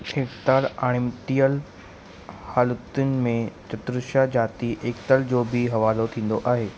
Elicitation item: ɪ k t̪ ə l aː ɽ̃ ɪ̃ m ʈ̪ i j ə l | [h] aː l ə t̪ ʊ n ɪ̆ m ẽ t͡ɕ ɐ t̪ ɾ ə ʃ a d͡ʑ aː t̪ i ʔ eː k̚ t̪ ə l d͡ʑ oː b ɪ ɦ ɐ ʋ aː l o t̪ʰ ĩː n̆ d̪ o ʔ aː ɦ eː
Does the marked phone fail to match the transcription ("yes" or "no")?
no